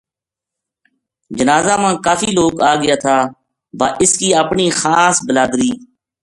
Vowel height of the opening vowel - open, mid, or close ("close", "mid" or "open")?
mid